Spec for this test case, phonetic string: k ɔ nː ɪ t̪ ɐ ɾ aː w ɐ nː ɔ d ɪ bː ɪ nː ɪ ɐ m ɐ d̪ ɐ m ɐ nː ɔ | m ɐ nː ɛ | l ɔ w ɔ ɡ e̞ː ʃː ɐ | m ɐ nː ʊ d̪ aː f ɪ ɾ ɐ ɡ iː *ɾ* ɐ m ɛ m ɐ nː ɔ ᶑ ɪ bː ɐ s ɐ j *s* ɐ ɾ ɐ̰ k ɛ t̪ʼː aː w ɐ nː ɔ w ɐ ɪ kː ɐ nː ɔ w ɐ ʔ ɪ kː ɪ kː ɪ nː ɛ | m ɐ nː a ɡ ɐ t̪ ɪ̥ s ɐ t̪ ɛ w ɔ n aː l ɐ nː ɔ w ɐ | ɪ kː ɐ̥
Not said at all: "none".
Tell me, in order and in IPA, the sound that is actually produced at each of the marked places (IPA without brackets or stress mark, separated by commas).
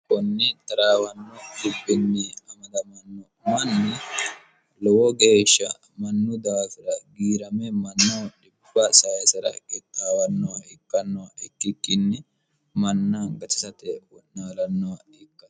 ɾ, s